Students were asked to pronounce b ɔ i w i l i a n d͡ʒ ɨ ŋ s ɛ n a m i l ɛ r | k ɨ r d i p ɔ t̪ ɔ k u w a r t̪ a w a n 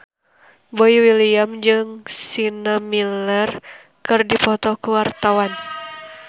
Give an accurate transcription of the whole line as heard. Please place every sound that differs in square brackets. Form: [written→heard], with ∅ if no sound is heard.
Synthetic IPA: b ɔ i w i l i a [n→m] d͡ʒ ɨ ŋ s [ɛ→i] n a m i l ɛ r | k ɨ r d i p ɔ t̪ ɔ k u w a r t̪ a w a n